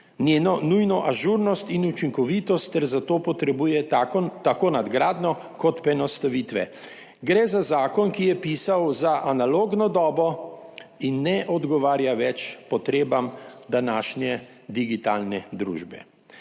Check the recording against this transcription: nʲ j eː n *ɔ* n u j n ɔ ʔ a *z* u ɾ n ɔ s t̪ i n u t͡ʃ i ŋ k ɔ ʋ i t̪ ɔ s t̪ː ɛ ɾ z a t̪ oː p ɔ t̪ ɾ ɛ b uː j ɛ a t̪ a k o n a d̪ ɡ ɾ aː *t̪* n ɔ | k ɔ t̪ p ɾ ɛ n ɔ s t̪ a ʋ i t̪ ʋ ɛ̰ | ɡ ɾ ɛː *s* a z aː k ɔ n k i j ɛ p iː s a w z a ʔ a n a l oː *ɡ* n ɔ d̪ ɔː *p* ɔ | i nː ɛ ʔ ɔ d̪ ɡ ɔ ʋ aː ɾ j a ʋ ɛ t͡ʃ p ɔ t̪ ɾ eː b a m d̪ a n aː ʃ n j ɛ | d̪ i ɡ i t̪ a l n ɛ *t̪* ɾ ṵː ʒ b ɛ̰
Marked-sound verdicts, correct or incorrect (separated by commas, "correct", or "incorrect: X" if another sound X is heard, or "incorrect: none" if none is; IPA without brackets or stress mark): correct, incorrect: ʒ, incorrect: d̪, incorrect: z, correct, incorrect: b, incorrect: d̪